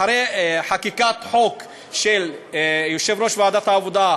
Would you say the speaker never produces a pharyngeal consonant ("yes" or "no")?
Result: no